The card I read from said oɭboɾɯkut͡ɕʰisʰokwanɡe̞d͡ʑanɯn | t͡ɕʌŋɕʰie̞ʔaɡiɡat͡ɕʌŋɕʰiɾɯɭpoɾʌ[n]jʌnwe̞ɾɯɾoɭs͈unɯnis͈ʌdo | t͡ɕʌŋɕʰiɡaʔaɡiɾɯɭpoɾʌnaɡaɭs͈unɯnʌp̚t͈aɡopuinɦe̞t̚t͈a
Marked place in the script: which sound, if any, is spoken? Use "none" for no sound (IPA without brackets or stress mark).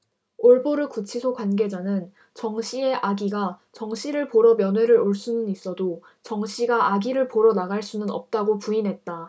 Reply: m